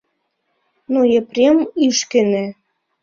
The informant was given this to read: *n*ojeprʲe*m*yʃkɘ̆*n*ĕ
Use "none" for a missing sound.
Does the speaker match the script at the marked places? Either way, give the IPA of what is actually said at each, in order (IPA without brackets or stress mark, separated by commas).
n, m, n